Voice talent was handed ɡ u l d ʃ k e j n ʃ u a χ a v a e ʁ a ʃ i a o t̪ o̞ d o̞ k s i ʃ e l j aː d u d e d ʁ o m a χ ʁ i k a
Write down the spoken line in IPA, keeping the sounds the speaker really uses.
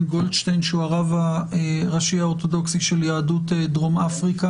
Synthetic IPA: ɡ o l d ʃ t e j n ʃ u a ʁ a v a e ʁ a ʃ i a o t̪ o̞ d o̞ k s i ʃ e l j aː d u t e d ʁ o m a f ʁ i k a